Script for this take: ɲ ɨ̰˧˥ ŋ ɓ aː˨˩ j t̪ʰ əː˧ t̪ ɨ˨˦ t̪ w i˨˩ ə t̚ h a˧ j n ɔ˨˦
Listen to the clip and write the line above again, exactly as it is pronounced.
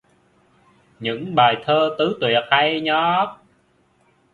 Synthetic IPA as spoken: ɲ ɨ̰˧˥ ŋ ɓ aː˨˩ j t̪ʰ əː˧ t̪ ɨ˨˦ t̪ w i˨˩ ə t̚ h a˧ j ɲ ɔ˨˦